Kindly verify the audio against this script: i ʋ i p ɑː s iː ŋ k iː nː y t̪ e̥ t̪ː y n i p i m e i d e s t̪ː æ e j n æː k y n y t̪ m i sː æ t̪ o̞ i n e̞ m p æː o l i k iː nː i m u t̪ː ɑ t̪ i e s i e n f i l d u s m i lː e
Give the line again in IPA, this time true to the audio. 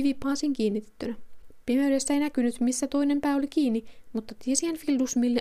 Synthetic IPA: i ʋ i p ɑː s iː ŋ k iː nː i t̪ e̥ t̪ː y n æ p i m e y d e s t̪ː æ e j n æ k y n y t̪ m i sː æ t̪ o̞ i n e̞ m p æː o l i k iː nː i m u t̪ː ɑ t̪ i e s i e n f i l d u s m i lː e